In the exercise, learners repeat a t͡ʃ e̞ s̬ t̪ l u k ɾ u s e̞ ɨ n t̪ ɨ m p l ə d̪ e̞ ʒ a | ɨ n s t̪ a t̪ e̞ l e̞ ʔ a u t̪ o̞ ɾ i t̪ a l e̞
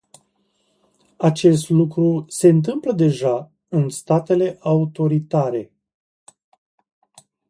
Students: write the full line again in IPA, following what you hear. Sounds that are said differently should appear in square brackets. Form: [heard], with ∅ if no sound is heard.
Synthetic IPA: a t͡ʃ e̞ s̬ t̪ l u k ɾ u s e̞ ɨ n t̪ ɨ m p l ə d̪ e̞ ʒ a | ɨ n s t̪ a t̪ e̞ l e̞ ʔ a u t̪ o̞ ɾ i t̪ a [ɾ] e̞